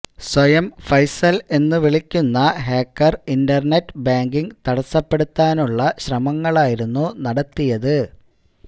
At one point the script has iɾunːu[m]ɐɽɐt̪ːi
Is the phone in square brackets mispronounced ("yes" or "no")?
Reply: yes